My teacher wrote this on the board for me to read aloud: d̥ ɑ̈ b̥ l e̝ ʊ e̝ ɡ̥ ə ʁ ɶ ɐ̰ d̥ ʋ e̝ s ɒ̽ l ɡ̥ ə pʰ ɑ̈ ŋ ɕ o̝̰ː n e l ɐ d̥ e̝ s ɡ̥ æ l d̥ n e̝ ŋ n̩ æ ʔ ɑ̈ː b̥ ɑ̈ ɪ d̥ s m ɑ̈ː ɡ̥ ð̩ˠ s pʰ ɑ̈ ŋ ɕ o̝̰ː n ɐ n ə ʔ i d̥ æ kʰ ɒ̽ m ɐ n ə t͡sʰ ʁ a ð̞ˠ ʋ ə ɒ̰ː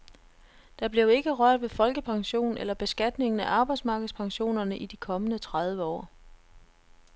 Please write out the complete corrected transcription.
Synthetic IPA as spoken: d̥ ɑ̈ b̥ l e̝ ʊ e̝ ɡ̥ ə ʁ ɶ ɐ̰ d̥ ʋ e̝ f ɒ̽ l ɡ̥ ə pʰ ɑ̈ ŋ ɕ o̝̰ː n e l ɐ b̥ e̝ s ɡ̥ æ d̥ n e̝ ŋ n̩ æ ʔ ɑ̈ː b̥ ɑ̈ ɪ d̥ s m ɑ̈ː ɡ̥ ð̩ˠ s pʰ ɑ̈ ŋ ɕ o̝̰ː n ɐ n ə ʔ i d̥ i kʰ ɒ̽ m ə n ə t͡sʰ ʁ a ð̞ˠ ʋ ə ɒ̰ː